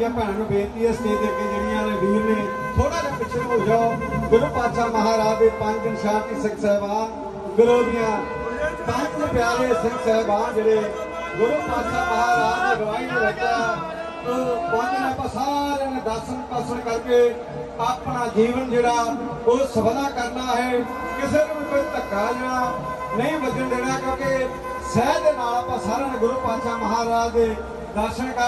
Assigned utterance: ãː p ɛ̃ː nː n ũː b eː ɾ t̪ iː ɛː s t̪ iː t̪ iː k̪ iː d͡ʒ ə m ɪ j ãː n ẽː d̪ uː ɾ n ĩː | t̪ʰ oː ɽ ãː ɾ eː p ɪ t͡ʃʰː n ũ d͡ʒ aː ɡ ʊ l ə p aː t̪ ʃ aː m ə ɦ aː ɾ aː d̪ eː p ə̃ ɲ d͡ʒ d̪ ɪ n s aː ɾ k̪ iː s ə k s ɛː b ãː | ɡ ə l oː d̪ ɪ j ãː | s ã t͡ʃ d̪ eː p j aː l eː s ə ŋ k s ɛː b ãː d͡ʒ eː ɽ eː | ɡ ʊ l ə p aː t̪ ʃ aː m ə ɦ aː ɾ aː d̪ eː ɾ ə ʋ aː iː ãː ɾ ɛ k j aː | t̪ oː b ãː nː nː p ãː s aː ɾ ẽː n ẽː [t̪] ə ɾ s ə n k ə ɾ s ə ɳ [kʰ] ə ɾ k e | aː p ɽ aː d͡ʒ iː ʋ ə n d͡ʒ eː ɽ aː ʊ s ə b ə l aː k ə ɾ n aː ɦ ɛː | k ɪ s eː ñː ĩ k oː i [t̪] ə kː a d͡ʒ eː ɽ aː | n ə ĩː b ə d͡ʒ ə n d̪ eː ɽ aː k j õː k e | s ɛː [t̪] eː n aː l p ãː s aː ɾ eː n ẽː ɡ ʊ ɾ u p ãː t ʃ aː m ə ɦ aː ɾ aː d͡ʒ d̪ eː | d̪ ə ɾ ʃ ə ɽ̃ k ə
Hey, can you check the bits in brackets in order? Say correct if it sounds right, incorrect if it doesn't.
incorrect: d̪, incorrect: k, correct, incorrect: d̪

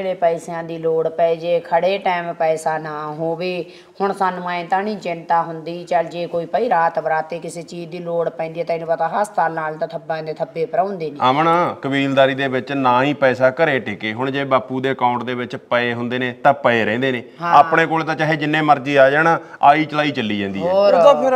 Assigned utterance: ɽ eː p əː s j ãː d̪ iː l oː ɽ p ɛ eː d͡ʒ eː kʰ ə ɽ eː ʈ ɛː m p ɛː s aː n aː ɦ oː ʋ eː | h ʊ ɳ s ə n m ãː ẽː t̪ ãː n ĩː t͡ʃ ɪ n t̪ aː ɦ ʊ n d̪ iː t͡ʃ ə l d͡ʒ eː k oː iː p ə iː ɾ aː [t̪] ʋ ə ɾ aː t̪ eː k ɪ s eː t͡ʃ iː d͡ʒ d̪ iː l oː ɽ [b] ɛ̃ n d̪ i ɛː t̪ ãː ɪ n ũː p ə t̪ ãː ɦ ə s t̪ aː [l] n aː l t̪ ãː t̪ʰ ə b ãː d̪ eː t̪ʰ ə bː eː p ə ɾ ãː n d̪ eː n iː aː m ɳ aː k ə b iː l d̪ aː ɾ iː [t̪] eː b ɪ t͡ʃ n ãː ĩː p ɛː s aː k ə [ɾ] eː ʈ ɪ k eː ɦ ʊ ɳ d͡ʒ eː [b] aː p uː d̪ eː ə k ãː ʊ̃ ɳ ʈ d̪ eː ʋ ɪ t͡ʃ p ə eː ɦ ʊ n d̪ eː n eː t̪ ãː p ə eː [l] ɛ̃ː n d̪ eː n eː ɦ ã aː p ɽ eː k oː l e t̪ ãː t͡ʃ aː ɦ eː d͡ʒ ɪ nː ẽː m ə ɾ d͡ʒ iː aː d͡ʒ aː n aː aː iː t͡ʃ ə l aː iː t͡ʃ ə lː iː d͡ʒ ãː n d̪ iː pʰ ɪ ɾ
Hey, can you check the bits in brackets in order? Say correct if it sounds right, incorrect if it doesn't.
correct, incorrect: p, correct, incorrect: d̪, correct, correct, incorrect: ɾ

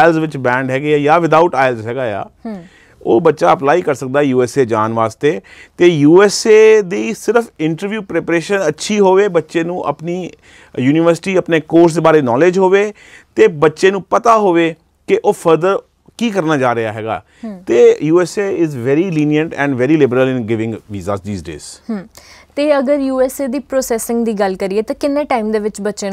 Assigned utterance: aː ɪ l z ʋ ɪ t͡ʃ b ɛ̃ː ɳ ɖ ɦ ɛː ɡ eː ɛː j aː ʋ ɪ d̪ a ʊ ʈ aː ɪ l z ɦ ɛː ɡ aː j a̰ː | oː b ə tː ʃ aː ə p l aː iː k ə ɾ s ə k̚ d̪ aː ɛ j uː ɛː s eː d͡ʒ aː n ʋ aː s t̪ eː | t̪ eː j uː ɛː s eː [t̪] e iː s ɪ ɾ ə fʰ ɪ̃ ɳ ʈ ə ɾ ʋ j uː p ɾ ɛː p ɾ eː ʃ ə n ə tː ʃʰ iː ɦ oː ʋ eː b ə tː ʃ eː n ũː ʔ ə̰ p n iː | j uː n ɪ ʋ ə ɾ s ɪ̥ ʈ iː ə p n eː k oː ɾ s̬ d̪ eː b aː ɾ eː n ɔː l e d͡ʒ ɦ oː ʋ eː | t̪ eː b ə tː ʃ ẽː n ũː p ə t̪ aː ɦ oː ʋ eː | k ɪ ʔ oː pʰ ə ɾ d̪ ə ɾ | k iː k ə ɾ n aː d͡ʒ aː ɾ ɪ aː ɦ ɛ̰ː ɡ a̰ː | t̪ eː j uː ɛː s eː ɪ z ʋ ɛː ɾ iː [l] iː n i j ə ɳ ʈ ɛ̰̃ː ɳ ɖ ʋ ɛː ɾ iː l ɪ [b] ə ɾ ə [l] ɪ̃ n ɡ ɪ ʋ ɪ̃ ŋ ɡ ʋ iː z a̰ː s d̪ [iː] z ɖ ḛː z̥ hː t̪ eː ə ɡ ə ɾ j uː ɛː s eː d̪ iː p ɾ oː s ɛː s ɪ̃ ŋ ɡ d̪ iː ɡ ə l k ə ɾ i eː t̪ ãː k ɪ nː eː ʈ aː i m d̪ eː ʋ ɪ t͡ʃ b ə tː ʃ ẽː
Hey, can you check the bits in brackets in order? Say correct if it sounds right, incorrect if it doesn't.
incorrect: d̪, correct, correct, correct, correct

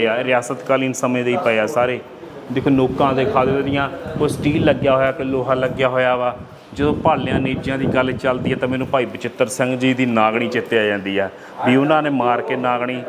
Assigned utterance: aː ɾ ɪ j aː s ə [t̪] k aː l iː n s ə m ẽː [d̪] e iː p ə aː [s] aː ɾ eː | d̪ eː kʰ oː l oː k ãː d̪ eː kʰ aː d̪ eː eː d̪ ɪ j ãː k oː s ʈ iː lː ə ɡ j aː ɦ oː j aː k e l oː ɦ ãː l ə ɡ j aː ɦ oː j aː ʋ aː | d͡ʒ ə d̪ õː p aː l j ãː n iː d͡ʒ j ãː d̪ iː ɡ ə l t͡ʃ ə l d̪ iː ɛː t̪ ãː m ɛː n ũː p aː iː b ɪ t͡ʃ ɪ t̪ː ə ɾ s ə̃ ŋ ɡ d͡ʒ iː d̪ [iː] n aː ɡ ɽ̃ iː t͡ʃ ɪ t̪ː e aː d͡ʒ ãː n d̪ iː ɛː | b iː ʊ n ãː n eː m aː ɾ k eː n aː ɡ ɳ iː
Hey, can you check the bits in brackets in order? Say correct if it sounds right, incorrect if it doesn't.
correct, correct, correct, correct

